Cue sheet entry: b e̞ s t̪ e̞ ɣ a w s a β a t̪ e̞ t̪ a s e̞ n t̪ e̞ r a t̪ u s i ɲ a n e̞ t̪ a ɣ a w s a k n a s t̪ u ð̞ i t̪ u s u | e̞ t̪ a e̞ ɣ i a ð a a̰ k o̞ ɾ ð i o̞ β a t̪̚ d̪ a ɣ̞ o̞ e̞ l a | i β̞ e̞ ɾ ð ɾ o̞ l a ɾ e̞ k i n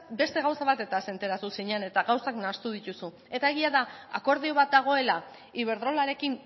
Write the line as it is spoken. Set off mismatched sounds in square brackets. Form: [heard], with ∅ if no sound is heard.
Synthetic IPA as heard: b e̞ s t̪ e̞ ɣ a w s a β a t̪ e̞ t̪ a s e̞ n t̪ e̞ [ɾ] a t̪ u s i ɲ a n e̞ t̪ a ɣ a w s a k n a s t̪ u ð̞ i t̪ u s u | e̞ t̪ a e̞ ɣ i a ð a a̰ k o̞ ɾ ð i o̞ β a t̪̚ d̪ a ɣ̞ o̞ e̞ l a | i β̞ e̞ ɾ ð ɾ o̞ l a ɾ e̞ k i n